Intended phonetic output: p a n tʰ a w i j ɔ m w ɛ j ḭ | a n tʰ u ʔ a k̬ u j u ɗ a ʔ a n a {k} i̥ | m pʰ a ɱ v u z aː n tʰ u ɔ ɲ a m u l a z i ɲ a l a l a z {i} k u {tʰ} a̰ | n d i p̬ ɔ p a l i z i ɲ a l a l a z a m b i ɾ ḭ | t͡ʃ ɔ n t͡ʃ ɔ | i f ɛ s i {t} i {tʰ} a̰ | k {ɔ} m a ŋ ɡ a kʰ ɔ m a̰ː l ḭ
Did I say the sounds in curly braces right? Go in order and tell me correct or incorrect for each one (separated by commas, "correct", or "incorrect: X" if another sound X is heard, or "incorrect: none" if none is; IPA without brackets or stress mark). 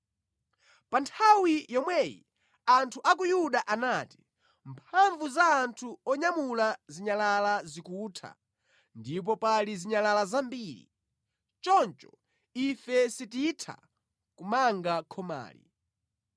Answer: incorrect: t, correct, correct, correct, correct, incorrect: u